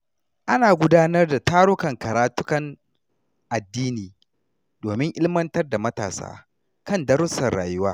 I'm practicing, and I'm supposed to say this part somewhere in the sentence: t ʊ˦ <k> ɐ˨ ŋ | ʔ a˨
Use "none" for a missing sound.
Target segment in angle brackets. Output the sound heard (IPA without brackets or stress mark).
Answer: k